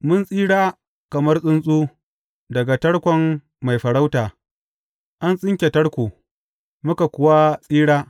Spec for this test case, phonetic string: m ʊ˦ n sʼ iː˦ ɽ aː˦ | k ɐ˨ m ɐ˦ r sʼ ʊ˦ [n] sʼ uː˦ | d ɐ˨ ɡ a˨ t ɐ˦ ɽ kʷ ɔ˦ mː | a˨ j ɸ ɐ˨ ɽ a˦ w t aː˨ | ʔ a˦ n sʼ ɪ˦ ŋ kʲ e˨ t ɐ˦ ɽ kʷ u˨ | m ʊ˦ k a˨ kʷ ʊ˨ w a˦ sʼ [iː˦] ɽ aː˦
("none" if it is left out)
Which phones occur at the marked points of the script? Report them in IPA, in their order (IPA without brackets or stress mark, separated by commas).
n, iː˦